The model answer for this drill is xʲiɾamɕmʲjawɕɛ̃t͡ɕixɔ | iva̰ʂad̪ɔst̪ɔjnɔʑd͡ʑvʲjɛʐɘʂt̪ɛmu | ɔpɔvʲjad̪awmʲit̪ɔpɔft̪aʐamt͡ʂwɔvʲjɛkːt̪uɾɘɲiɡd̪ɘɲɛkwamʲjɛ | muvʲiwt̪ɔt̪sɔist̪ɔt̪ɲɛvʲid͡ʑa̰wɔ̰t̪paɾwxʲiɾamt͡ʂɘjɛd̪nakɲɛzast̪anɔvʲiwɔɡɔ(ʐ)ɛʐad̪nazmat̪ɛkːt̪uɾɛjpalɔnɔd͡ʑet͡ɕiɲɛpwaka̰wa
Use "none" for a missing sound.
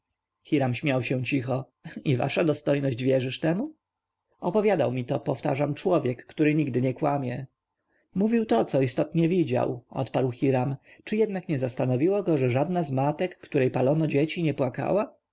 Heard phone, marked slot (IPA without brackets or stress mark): ʐ